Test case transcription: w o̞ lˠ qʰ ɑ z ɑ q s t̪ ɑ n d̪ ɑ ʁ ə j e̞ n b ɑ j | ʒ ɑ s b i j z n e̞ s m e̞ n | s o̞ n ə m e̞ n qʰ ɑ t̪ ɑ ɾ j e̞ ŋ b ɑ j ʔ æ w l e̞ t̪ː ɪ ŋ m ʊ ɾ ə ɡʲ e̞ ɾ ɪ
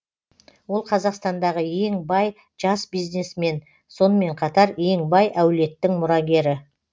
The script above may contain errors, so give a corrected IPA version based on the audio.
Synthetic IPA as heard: w o̞ lˠ qʰ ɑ z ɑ q s t̪ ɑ n d̪ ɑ ʁ ə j e̞ ŋ b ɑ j | ʒ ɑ s b i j z n e̞ s m e̞ n | s o̞ n ə m e̞ ɴ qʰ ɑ t̪ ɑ ɾ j e̞ ŋ b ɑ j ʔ æ w l e̞ t̪ː ɪ ŋ m ʊ ɾ ɑ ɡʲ e̞ ɾ ɪ